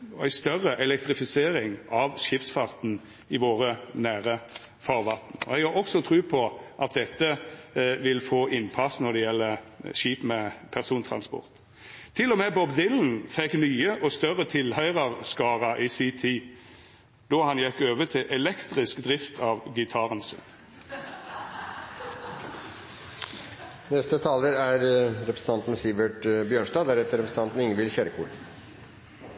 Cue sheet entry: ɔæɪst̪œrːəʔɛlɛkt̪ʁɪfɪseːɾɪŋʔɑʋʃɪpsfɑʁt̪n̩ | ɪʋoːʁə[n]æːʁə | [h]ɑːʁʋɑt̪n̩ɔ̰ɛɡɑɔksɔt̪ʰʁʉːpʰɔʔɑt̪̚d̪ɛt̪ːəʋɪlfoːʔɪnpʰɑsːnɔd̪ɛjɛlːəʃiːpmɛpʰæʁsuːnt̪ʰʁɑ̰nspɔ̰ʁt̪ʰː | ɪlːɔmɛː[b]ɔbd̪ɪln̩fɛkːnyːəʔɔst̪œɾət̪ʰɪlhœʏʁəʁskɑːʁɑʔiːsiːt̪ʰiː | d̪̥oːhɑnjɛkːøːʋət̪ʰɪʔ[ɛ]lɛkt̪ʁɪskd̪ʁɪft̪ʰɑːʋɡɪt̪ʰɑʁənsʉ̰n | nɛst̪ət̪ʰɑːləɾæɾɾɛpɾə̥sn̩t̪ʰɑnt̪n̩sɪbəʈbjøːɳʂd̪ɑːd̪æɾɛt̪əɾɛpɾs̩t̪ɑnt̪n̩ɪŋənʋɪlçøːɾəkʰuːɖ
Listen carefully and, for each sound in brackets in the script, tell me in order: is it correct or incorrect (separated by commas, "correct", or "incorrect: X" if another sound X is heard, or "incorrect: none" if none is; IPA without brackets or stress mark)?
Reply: correct, incorrect: f, correct, correct